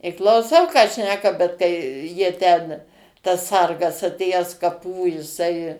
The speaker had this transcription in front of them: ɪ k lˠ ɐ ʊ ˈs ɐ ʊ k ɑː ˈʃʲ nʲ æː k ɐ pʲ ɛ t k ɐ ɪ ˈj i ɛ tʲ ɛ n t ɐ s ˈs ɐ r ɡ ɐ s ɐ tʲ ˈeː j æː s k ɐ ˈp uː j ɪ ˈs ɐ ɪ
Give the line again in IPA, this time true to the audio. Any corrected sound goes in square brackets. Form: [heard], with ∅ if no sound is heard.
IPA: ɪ k lˠ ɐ ʊ ˈs ɐ ʊ k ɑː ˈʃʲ nʲ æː k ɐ [bʲ] ɛ t k ɐ ɪ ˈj i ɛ tʲ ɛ n t ɐ s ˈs ɐ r ɡ ɐ s ɐ tʲ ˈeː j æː s k ɐ ˈp uː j ɪ ˈs ɐ ɪ